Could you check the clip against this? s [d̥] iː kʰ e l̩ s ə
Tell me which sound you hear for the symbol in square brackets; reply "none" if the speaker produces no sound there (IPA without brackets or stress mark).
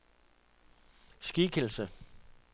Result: ɡ̥